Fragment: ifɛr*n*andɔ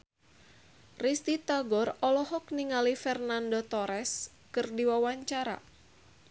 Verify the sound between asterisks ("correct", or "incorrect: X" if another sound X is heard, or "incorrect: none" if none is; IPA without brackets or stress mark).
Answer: correct